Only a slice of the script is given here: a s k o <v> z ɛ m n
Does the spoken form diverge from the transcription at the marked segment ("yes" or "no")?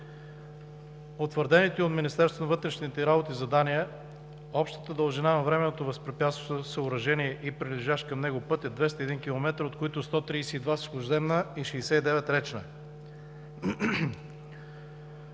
yes